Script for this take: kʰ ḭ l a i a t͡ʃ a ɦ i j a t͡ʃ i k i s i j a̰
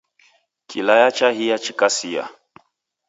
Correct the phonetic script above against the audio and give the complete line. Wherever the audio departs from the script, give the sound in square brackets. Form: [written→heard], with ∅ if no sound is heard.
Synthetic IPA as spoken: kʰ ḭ l a [i→j] a t͡ʃ a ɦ i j a t͡ʃ i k [i→a] s i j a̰